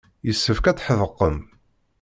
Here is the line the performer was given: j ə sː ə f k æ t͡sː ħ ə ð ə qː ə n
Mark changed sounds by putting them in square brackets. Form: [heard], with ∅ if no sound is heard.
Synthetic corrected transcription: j ə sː ə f k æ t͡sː ħ ə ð ə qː ə [m]